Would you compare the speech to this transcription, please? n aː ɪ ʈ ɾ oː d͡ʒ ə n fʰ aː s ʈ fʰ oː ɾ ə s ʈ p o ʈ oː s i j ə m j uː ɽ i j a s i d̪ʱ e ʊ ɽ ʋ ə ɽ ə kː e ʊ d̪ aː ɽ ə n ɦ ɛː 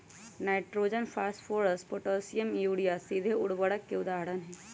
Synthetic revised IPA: n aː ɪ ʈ ɾ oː d͡ʒ ə n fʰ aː s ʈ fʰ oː ɾ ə s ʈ p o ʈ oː s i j ə m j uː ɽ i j a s i d̪ʱ e ʊ ɽ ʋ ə ɽ ə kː e ʊ d̪ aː ɽ ə n ɦ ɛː